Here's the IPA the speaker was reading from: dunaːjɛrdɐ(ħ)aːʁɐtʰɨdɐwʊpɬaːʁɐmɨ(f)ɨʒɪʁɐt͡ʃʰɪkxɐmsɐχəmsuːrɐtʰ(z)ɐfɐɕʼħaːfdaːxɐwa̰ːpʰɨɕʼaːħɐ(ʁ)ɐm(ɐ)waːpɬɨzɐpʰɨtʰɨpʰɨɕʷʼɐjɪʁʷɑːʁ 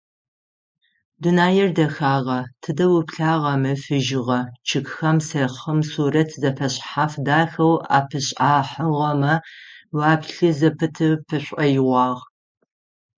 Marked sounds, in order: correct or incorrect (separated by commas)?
incorrect, correct, correct, correct, correct